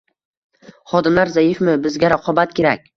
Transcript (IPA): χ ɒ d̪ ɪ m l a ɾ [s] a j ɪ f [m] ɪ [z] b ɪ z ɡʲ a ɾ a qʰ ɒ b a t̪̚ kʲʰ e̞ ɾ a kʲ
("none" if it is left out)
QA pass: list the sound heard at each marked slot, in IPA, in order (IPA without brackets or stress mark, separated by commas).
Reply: z, m, none